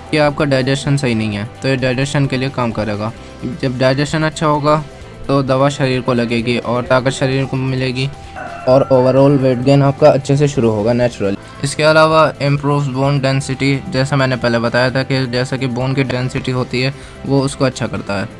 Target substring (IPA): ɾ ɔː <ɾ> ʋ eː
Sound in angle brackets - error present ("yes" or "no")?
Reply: yes